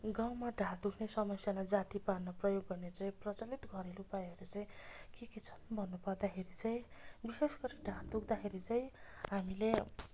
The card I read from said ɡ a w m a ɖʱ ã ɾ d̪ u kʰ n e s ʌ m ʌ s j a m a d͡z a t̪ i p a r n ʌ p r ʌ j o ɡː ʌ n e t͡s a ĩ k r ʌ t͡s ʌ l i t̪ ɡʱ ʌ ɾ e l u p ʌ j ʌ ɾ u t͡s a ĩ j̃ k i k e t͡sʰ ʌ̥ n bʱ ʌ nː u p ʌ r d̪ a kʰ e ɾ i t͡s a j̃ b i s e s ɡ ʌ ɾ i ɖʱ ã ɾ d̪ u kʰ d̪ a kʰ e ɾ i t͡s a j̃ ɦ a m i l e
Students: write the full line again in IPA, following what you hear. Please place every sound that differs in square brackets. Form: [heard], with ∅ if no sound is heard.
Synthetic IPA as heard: ɡ a w m a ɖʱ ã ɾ d̪ u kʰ n e s ʌ m ʌ s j a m a d͡z a t̪ i p a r n ʌ p r ʌ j o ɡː ʌ n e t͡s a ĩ [p] r ʌ t͡s ʌ l i t̪ ɡʱ ʌ ɾ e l u p [a] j ʌ ɾ u t͡s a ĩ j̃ k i k e t͡sʰ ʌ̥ n bʱ ʌ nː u p ʌ r d̪ a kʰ e ɾ i t͡s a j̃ b i s e s ɡ ʌ ɾ i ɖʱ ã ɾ d̪ u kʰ d̪ a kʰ e ɾ i t͡s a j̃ ɦ a m i l e

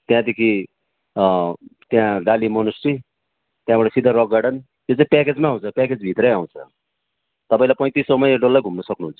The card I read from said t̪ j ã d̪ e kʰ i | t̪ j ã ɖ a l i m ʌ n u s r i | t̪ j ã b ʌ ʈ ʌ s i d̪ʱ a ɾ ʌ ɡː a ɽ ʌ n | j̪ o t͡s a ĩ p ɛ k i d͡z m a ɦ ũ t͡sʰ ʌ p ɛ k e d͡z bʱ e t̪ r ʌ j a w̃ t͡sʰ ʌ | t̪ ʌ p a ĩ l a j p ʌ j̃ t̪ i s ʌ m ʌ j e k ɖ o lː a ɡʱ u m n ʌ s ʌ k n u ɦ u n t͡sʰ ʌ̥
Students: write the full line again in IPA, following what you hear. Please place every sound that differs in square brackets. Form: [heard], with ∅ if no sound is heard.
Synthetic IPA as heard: t̪ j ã d̪ e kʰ i | t̪ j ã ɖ a l i m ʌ n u s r i | t̪ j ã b ʌ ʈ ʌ s i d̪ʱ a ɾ ʌ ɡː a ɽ ʌ n | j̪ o t͡s a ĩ p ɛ k [e] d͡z m a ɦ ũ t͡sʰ ʌ p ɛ k e d͡z bʱ [i] t̪ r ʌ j a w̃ t͡sʰ ʌ | t̪ ʌ p a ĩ l a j p ʌ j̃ t̪ i s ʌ m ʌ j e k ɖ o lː a ɡʱ u m n ʌ s ʌ k n u ɦ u n t͡sʰ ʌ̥

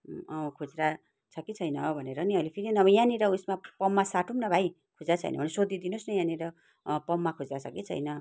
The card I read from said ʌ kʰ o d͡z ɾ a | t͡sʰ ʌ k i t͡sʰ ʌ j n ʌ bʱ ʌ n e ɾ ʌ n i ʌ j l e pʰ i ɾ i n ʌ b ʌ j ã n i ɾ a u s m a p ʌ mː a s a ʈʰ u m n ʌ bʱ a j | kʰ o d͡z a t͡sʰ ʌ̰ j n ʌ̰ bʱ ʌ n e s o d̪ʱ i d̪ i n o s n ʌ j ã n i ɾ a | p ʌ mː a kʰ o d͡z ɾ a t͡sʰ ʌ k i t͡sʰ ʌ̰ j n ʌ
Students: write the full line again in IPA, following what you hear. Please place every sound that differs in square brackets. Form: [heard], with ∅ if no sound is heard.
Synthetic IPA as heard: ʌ kʰ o d͡z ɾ a | t͡sʰ ʌ k i t͡sʰ ʌ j n ʌ bʱ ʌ n e ɾ ʌ n i ʌ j l e pʰ i ɾ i n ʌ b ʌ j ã n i ɾ [ʌ] u s m a p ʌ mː a s a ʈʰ u m n ʌ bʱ a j | kʰ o d͡z a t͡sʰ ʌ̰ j n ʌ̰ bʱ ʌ n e s o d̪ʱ i d̪ i n o s n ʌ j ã n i ɾ [ʌ] | p ʌ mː a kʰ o d͡z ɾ a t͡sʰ ʌ k i t͡sʰ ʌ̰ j n ʌ

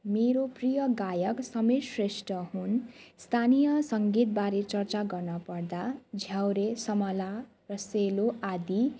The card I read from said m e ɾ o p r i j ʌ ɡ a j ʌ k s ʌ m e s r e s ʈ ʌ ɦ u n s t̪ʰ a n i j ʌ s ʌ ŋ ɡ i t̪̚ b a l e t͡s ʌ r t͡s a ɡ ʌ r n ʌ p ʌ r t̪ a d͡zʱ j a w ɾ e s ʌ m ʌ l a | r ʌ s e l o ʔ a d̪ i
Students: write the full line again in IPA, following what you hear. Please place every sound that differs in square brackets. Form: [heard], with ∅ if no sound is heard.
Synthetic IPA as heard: m e ɾ o p r i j ʌ ɡ a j ʌ k s ʌ m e s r e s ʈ ʌ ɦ u n s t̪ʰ a n i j ʌ s ʌ ŋ ɡ i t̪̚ b a [ɾ] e t͡s ʌ r t͡s a ɡ ʌ r n ʌ p ʌ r [d̪] a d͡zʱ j a w ɾ e s ʌ m ʌ l a | r ʌ s e l o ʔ a d̪ i

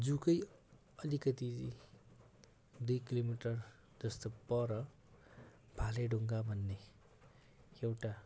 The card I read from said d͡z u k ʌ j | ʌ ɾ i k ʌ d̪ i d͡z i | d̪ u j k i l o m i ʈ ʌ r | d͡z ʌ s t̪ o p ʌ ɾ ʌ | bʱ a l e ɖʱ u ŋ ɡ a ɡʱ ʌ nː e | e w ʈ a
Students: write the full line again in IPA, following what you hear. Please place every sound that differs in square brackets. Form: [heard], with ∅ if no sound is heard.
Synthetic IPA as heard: d͡z u k ʌ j | ʌ [l] i k ʌ [t̪] i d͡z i | d̪ u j k i l o m i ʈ ʌ r | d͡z ʌ s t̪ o p ʌ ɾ ʌ | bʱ a l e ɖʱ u ŋ ɡ a [bʱ] ʌ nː e | e w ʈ a

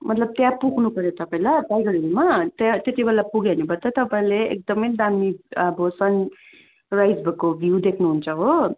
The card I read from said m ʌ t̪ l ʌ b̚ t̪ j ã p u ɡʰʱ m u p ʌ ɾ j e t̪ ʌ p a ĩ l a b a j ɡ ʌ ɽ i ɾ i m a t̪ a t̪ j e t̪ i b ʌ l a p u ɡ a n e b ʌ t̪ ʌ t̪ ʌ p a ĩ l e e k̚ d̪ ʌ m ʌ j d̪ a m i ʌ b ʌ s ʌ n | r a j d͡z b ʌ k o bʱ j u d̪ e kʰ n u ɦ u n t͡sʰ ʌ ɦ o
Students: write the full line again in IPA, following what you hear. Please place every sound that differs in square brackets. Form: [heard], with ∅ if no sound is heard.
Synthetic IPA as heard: m ʌ t̪ l ʌ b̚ t̪ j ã p u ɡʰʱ [n] u p ʌ ɾ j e t̪ ʌ p a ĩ l a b a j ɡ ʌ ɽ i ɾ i m a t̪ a t̪ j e t̪ i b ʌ l a p u ɡ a n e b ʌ t̪ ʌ t̪ ʌ p a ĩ l e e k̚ d̪ ʌ m ʌ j d̪ a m i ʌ b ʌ s ʌ n | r a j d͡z b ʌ k o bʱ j u d̪ e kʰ n u ɦ u n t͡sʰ ʌ ɦ o

